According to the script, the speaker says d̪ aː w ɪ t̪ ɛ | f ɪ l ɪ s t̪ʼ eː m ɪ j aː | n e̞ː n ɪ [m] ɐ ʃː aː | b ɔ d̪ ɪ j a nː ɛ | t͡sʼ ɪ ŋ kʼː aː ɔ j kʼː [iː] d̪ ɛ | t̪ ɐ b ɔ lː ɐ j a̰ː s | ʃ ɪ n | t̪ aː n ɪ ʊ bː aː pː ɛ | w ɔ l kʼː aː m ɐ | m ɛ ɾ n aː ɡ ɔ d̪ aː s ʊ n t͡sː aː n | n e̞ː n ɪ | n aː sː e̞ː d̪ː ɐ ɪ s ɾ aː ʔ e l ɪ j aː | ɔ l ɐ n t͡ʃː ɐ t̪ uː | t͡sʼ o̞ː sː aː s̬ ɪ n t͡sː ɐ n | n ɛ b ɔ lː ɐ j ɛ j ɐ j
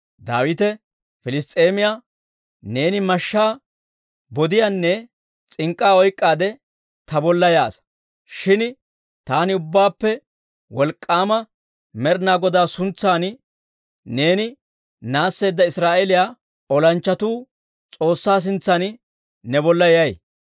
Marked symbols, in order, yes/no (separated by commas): yes, no